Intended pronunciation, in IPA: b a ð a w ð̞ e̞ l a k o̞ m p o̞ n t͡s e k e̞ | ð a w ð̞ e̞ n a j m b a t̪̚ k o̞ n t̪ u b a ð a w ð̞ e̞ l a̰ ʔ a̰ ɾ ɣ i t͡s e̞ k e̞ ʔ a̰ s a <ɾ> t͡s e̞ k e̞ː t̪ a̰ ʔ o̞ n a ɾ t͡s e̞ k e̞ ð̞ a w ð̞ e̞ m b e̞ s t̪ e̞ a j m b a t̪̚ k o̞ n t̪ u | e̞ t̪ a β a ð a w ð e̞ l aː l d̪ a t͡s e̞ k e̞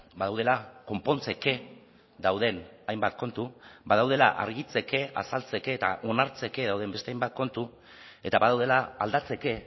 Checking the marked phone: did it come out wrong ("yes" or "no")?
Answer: yes